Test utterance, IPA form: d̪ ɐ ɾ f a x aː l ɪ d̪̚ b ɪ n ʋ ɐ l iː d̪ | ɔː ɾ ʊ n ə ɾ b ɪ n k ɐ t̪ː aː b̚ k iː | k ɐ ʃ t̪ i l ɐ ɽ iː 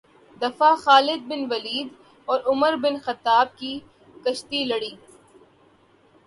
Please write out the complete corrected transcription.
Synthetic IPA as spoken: d̪ ɐ f a x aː l ɪ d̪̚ b ɪ n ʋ ɐ l iː d̪ | ɔː ɾ ʊ m ə ɾ b ɪ n x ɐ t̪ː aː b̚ k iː | k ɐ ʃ t̪ i l ɐ ɽ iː